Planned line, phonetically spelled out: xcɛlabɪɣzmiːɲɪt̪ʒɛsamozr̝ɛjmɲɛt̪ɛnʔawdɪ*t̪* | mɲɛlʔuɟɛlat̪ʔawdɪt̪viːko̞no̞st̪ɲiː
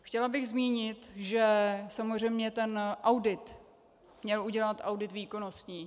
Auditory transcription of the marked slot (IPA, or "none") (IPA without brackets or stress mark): t̪